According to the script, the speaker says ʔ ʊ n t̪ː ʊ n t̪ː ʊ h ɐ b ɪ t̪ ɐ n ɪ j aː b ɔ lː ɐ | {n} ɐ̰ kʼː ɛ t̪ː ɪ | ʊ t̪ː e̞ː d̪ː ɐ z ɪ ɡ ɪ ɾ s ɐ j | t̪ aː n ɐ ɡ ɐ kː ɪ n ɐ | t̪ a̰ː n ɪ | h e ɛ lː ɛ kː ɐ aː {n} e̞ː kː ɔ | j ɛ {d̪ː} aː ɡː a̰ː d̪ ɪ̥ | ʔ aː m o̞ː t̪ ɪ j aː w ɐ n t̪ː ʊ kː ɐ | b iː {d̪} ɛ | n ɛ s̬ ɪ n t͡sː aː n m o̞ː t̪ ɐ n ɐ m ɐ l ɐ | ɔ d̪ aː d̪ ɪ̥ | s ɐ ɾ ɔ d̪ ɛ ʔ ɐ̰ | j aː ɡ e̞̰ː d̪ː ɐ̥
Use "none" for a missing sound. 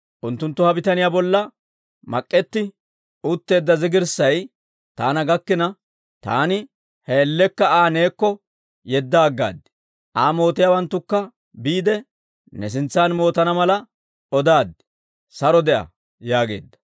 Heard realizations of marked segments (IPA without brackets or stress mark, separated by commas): m, n, d̪ː, d̪